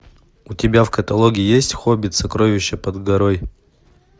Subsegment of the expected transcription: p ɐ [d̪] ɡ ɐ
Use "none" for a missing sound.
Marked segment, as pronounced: d̪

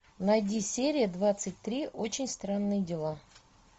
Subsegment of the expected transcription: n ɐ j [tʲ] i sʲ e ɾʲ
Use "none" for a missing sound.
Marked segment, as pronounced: dʲ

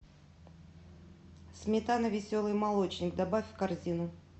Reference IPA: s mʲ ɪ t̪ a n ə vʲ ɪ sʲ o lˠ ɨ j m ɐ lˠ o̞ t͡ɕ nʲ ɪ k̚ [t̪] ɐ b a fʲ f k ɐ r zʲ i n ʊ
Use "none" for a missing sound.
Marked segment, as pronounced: d̪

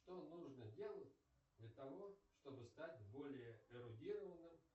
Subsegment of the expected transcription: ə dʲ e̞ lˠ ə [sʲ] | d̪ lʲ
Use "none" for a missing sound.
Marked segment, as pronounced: tʲ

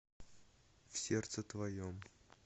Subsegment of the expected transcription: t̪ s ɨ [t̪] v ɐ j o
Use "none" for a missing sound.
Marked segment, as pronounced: t̪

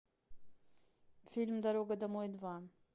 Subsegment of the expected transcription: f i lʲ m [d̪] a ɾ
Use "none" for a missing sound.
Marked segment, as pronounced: d̪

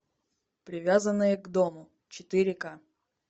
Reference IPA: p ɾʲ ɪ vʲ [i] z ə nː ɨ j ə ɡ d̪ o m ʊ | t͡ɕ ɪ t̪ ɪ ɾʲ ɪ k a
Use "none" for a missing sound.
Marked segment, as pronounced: a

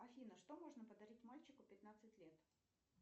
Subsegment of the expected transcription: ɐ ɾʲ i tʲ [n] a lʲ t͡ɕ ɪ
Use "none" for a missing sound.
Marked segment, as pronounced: m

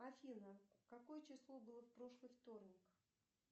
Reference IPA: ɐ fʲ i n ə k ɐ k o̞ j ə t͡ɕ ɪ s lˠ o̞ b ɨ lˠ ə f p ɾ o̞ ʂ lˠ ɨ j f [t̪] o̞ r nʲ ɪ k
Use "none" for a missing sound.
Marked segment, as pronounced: t̪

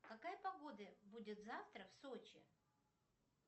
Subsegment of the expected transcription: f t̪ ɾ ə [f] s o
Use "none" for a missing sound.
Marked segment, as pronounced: f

